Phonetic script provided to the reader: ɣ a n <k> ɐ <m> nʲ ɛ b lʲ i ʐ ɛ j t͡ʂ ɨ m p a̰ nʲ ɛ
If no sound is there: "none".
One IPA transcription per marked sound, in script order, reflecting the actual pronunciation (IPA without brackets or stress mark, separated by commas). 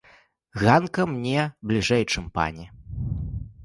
k, m